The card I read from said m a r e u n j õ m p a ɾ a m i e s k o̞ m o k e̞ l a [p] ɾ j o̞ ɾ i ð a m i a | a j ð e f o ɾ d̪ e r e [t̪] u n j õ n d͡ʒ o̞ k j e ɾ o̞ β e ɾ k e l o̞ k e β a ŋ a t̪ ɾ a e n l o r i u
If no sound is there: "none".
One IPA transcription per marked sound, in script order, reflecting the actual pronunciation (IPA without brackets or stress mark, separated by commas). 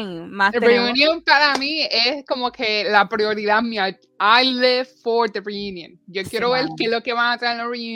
p, none